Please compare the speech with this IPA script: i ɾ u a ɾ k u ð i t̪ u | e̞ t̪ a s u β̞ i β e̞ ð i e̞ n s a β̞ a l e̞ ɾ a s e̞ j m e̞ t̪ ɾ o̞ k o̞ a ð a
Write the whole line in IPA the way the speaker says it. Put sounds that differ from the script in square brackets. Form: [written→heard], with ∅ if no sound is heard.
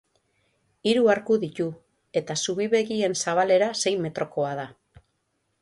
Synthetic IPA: i ɾ u a ɾ k u ð i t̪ u | e̞ t̪ a s u β̞ i β e̞ [ð→ɣ] i e̞ n s a β̞ a l e̞ ɾ a s e̞ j m e̞ t̪ ɾ o̞ k o̞ a ð a